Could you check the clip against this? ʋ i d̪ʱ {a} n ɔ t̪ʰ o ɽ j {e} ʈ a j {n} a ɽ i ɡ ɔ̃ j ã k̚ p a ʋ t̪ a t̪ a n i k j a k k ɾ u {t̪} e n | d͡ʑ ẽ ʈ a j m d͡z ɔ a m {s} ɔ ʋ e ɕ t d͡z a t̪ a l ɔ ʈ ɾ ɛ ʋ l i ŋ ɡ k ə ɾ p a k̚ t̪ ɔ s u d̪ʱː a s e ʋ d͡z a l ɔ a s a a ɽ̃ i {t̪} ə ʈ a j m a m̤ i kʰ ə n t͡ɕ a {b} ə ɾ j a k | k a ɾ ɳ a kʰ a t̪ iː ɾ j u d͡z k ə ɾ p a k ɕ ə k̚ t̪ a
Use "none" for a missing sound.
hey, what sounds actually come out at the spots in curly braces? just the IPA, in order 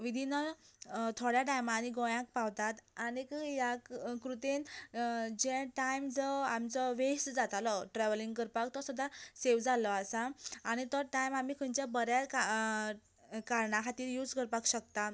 i, a, m, t̪, t͡s, t̪, b

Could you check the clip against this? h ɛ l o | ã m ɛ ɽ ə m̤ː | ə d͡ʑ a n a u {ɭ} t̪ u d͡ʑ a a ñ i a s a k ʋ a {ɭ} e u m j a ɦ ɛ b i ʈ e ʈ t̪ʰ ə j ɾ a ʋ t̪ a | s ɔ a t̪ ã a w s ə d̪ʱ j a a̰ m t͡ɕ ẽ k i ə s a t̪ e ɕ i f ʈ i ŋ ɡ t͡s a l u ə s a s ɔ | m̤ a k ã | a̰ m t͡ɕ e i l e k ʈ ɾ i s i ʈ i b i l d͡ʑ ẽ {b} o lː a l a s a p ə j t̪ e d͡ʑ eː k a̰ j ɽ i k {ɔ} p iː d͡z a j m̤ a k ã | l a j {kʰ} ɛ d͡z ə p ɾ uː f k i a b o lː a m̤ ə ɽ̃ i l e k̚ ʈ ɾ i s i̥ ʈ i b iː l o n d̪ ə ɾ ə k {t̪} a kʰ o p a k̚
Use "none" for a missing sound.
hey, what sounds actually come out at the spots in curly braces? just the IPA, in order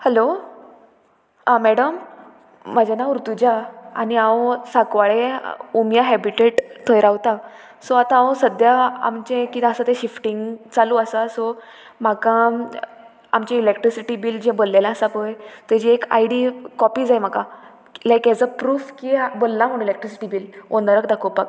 ɾ, ɭ, b, ɔ, k, d̪

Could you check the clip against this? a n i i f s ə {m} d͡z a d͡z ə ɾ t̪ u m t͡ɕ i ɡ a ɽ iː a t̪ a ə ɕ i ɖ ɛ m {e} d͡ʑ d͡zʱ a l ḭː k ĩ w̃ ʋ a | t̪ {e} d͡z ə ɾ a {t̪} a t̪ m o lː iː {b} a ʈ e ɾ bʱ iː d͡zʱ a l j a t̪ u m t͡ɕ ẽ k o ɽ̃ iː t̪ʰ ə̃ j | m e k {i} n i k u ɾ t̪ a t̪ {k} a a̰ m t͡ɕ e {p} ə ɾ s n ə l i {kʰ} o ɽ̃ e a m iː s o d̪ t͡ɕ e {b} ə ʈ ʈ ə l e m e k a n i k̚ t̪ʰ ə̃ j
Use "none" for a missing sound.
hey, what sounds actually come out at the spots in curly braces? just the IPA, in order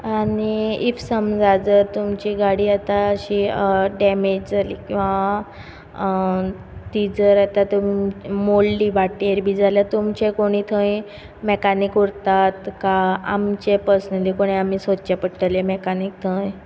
m, e, i, t̪, b, a, k, p, k, p

